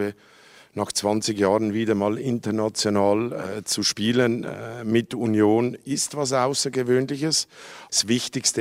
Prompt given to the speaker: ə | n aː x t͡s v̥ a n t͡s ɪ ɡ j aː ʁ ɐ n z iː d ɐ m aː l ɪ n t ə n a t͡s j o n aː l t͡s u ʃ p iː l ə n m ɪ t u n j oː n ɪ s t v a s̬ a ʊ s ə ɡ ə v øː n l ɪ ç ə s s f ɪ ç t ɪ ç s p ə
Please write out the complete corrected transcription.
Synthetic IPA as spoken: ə | n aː x t͡s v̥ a n t͡s ɪ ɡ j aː ʁ ə n v iː d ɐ m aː l ɪ n t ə n a t͡s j o n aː l t͡s u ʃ p iː l ə n m ɪ t u n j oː n ɪ s t v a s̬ a ʊ s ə ɡ ə v øː n l ɪ ç ə s s v ɪ ç t ɪ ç s t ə